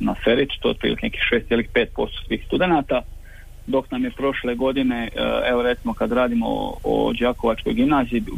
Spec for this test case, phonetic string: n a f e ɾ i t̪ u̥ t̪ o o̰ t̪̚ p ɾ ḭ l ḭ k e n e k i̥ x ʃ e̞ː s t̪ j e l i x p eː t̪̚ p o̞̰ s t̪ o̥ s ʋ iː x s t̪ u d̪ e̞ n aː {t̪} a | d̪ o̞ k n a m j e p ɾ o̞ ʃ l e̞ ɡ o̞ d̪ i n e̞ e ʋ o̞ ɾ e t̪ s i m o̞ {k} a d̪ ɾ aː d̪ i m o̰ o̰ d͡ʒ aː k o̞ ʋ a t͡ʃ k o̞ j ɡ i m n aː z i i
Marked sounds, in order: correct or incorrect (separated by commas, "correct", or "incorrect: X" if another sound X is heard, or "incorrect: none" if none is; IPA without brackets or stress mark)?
correct, correct